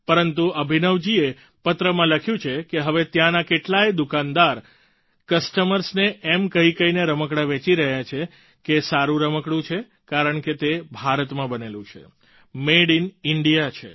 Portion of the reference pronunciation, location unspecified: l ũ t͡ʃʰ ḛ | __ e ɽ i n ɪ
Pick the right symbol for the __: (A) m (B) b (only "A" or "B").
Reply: A